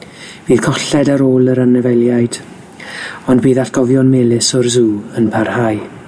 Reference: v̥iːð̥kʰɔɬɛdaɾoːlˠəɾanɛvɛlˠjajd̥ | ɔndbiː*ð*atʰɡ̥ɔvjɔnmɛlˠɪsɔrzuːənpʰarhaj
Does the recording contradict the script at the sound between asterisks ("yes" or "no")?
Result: no